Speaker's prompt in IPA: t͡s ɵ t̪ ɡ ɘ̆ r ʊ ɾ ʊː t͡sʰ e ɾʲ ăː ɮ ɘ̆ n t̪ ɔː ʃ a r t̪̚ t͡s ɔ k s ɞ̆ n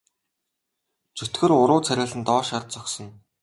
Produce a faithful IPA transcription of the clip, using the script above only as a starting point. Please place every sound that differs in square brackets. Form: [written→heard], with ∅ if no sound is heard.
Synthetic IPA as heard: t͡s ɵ t̪ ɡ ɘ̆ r ʊ ɾ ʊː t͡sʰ [e→æ] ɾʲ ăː ɮ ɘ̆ n t̪ ɔː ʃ a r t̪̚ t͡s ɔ k s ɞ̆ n